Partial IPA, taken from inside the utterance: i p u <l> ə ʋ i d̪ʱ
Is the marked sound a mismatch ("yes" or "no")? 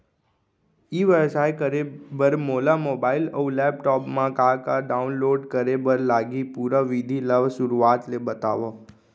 yes